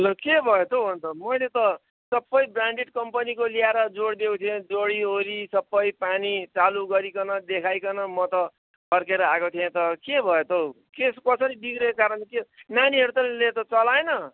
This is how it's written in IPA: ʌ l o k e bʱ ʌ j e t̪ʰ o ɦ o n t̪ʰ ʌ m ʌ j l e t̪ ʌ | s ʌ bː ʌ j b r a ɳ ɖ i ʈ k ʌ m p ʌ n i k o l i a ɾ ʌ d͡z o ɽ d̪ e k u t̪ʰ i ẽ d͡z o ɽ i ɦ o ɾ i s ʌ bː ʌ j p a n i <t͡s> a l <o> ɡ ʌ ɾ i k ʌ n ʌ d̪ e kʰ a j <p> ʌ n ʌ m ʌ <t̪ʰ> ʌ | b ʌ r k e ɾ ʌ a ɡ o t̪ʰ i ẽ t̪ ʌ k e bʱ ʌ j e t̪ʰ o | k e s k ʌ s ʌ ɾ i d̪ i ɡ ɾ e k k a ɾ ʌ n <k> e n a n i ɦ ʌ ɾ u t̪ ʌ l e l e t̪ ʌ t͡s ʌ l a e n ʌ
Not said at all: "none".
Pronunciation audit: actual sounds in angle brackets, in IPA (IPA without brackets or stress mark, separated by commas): t͡s, u, k, t̪, k